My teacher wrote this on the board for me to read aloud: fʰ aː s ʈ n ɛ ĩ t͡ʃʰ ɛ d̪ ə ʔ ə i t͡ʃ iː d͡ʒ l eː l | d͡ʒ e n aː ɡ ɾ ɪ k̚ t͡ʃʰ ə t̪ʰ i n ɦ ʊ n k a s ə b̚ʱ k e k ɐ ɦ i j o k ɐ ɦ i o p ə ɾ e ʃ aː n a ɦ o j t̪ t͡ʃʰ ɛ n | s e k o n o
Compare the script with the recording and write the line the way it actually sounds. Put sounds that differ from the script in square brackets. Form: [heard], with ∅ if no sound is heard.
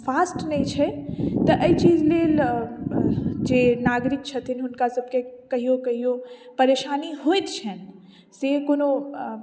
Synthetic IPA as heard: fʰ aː s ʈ n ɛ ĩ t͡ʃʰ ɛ [t̪] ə ʔ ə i t͡ʃ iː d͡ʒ l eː l | d͡ʒ e n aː ɡ ɾ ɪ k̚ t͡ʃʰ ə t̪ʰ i n ɦ ʊ n k a s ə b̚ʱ k e k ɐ ɦ i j o k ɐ ɦ i o p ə ɾ e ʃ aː n [i] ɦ o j t̪ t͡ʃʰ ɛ n | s e k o n o